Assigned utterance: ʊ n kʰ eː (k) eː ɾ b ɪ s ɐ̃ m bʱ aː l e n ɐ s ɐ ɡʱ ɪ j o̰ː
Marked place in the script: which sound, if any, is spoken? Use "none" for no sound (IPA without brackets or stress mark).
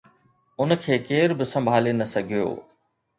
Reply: k